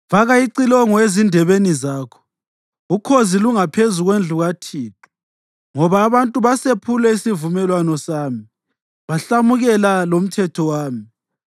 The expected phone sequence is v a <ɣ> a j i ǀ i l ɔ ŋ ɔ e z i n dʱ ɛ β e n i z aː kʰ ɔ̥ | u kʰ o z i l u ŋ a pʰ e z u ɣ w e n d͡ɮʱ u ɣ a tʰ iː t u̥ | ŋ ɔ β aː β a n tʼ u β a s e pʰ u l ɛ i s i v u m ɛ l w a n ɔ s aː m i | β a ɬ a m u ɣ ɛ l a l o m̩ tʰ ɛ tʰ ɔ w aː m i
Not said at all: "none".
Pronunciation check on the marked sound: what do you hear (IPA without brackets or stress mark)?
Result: ɣ